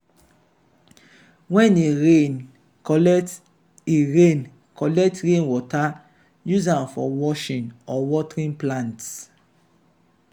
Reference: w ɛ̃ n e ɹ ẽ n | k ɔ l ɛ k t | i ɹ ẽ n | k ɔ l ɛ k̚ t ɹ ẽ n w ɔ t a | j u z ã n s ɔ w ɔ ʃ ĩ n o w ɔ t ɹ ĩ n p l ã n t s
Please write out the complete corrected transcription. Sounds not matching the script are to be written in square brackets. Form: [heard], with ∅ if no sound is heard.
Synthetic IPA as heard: w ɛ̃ n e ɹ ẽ n | k ɔ l ɛ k t | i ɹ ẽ n | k ɔ l ɛ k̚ t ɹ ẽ n w ɔ t a | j u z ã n [f] ɔ w ɔ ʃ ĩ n [ɔ] w ɔ t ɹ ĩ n p l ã n t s